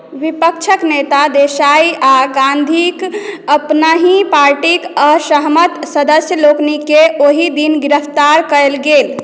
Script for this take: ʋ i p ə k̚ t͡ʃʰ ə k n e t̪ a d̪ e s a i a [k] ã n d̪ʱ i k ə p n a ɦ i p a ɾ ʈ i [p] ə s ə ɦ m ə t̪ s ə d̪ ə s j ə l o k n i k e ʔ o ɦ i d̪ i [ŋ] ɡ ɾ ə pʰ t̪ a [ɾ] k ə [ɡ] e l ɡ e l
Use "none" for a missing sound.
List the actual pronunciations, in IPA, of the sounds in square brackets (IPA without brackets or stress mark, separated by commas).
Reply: ɡ, k, n, ɾ, none